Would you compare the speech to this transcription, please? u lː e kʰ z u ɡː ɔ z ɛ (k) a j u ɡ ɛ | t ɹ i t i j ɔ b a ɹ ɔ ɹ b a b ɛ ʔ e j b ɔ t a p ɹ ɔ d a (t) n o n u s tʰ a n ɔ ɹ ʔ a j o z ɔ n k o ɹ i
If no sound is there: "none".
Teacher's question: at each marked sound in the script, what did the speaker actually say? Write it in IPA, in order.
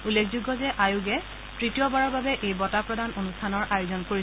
ʔ, none

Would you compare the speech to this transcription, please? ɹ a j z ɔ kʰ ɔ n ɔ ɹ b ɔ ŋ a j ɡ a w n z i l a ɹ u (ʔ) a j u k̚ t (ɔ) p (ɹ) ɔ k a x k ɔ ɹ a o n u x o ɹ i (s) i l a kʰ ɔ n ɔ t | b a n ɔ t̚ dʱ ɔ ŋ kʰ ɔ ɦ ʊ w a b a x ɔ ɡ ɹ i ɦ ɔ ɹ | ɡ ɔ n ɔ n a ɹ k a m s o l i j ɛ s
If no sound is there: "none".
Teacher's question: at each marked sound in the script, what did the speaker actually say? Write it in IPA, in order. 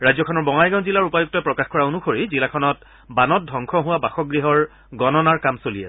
p, ɔ, ɹ, z

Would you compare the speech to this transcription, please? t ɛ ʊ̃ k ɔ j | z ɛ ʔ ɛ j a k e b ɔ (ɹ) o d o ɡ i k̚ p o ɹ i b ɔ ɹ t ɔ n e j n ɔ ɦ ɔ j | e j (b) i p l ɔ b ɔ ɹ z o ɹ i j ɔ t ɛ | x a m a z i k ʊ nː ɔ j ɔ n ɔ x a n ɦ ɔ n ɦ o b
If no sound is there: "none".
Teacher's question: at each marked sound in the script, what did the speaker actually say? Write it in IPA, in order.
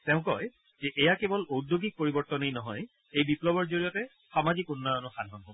l, b

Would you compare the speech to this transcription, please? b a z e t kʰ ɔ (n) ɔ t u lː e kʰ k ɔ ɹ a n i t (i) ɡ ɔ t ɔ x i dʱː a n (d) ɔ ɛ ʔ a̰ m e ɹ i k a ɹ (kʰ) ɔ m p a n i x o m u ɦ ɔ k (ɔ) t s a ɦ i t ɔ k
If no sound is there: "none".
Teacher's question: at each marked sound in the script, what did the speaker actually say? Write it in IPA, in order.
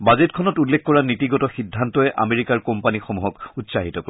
n, i, t, k, u

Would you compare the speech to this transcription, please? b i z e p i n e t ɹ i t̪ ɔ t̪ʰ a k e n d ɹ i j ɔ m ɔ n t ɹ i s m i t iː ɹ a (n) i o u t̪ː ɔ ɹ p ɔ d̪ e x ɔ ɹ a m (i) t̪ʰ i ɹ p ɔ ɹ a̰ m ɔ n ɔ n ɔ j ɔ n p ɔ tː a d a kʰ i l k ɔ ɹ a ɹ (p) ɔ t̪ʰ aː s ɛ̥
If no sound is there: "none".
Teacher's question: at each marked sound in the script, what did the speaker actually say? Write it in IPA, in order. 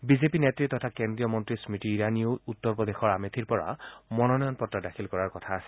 n, e, k

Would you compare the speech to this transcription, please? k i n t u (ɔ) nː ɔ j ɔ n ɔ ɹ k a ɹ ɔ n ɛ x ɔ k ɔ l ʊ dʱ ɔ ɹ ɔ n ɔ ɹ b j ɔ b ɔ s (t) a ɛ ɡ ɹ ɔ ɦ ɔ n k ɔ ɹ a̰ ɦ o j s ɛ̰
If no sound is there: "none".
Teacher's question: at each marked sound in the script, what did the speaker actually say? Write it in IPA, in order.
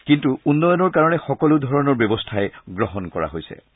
u, tʰ

